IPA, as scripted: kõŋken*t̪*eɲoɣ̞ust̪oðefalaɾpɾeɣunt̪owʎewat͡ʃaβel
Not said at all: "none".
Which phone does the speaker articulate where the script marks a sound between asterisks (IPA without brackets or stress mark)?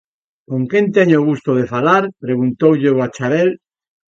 t̪